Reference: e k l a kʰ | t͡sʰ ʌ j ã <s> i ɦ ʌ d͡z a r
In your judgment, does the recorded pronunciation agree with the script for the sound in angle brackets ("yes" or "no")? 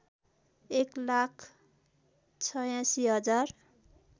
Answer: yes